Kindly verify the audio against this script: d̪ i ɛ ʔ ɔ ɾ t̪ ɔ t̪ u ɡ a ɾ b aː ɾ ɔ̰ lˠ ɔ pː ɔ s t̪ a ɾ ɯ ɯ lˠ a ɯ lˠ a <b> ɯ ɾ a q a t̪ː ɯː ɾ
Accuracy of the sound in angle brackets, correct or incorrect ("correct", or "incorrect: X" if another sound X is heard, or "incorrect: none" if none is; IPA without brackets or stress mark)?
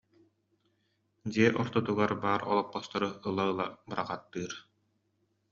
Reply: correct